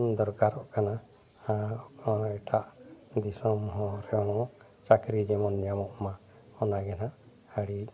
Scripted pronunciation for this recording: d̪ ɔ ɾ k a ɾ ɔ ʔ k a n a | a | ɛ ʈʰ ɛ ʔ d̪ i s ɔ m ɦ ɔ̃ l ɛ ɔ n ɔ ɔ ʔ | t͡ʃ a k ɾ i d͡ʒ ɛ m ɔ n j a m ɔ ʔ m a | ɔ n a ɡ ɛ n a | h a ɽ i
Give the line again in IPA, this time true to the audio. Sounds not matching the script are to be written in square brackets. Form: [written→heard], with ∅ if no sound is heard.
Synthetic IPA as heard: d̪ ɔ ɾ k a ɾ ɔ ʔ k a n a | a | ɛ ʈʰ [ɛ→a] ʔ d̪ i s ɔ m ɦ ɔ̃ [l→ɾ] ɛ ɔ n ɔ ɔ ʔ | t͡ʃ a k ɾ i d͡ʒ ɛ m ɔ n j a m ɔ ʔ m a | ɔ n a ɡ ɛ n a | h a ɽ i

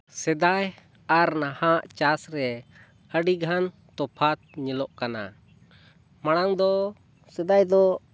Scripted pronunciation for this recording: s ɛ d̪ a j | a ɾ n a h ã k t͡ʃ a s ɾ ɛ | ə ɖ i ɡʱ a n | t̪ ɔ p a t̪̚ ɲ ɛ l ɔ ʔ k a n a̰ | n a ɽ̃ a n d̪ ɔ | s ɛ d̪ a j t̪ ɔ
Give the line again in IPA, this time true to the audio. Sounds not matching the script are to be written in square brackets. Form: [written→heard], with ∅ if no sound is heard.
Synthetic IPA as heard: s ɛ d̪ a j | a ɾ n a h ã [k→ʔ] t͡ʃ a s ɾ ɛ | ə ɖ i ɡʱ a n | t̪ ɔ [p→pʰ] a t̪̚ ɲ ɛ l ɔ ʔ k a n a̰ | [n→m] a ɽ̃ a [n→ŋ] d̪ ɔ | s ɛ d̪ a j [t̪→d̪] ɔ

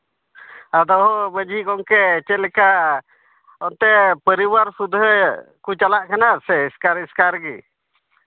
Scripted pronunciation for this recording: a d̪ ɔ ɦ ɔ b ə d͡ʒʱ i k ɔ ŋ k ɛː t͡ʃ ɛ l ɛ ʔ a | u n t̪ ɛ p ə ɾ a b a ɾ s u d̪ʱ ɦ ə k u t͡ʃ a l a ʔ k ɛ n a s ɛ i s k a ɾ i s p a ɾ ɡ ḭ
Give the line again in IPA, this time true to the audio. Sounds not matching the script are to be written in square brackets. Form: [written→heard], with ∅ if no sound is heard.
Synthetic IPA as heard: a d̪ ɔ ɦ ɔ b ə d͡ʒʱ i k ɔ ŋ k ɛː t͡ʃ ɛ l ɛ [ʔ→k] a | [u→ɔ] n t̪ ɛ p ə ɾ [a→i] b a ɾ s u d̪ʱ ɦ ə k u t͡ʃ a l a ʔ k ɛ n a s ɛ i s k a ɾ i s [p→k] a ɾ ɡ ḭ

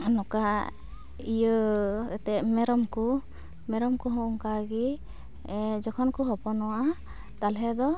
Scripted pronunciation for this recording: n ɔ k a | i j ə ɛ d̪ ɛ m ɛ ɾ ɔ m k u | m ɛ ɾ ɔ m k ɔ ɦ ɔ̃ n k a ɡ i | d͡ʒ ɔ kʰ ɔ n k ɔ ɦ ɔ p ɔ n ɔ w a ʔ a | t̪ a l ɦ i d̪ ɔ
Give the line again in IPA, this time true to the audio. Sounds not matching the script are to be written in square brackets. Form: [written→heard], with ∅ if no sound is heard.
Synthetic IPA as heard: n ɔ k a | i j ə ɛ [d̪→t̪] ɛ m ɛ ɾ ɔ m k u | m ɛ ɾ ɔ m k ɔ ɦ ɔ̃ [n→ŋ] k a ɡ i | d͡ʒ ɔ kʰ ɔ n k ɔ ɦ ɔ p ɔ n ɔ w a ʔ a | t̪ a l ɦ [i→ɛ] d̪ ɔ

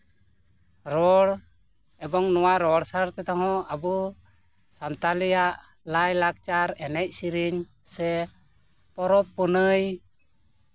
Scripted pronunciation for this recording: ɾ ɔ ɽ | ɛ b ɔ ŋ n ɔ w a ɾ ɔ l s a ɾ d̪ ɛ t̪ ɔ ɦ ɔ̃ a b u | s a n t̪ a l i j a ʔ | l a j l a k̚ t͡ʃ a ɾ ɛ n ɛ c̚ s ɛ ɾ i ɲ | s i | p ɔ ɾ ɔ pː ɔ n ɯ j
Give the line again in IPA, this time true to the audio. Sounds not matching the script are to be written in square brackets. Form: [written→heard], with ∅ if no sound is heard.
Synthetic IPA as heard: ɾ ɔ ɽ | ɛ b ɔ ŋ n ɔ w a ɾ ɔ [l→ɽ] s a ɾ [d̪→t̪] ɛ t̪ ɔ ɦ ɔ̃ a b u | s a n t̪ a l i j a ʔ | l a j l a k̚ t͡ʃ a ɾ ɛ n ɛ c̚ s [ɛ→i] ɾ i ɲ | s [i→ɛ] | p ɔ ɾ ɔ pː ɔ n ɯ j

